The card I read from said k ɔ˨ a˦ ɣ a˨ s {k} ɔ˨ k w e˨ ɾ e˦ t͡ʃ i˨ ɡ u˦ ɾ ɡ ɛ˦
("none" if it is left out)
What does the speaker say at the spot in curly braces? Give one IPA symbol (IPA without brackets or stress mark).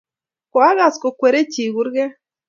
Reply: k